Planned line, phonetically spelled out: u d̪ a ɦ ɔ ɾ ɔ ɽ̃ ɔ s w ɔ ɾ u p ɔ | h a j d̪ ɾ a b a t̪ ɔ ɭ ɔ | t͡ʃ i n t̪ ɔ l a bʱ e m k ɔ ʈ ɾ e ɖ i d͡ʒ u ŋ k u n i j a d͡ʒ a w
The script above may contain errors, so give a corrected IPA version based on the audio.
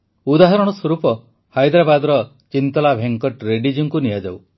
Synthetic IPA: u d̪ a ɦ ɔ ɾ ɔ ɽ̃ ɔ s w ɔ ɾ u p ɔ | h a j d̪ ɾ a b a d̪ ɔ ɾ ɔ | t͡ʃ i n t̪ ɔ l a bʱ e ŋ k ɔ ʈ ɾ e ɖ i d͡ʒ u ŋ k u n i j a d͡ʒ a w